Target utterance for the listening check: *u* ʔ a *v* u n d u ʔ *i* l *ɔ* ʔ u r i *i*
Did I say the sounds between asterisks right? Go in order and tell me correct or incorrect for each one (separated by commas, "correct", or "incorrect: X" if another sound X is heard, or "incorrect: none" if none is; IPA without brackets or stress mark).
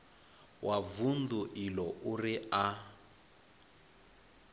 incorrect: w, correct, correct, correct, incorrect: a